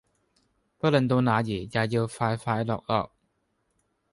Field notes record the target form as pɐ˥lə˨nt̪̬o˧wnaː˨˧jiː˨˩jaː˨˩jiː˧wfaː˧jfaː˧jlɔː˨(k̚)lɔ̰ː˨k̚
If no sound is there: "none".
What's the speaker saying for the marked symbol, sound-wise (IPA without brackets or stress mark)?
k̚